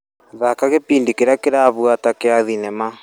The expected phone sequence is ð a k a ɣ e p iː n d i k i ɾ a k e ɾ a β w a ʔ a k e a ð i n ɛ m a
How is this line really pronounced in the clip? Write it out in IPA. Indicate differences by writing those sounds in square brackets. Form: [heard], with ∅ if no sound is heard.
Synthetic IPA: ð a k a ɣ e p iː n d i k [e] ɾ a k e ɾ a β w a [t] a k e a ð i n ɛ m a